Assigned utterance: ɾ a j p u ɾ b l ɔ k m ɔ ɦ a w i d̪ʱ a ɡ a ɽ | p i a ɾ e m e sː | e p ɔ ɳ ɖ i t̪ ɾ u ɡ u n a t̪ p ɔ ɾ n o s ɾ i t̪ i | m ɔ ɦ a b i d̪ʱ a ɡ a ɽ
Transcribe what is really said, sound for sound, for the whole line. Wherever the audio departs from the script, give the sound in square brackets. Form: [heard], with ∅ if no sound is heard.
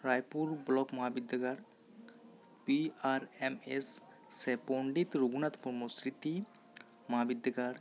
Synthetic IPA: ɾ a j p u ɾ b l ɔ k m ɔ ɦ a [b] i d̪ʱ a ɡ a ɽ | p i a ɾ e m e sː | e p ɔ ɳ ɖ i t̪ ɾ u ɡ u n a t̪ p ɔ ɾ [m] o s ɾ i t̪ i | m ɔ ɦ a b i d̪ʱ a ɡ a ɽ